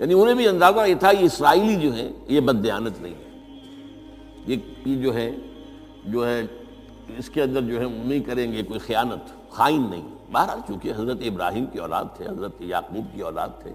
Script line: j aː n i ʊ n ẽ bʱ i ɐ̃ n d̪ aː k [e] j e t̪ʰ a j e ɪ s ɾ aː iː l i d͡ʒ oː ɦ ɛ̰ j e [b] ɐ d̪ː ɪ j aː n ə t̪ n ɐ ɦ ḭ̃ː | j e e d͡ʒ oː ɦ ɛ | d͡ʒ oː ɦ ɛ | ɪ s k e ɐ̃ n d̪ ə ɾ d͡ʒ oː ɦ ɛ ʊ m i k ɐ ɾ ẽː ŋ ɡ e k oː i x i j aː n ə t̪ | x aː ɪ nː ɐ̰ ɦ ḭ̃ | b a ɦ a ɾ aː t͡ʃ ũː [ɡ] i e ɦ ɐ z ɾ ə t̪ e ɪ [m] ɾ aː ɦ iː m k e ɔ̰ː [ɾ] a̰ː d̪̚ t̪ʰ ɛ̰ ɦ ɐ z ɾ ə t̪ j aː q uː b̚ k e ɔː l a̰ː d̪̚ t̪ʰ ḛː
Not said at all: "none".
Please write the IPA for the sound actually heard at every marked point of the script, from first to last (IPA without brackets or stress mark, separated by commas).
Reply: a, b, k, b, l